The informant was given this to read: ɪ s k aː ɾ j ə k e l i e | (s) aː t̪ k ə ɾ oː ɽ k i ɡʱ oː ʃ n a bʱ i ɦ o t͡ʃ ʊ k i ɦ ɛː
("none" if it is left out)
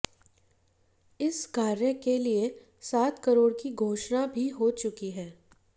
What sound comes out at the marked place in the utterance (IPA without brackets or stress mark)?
s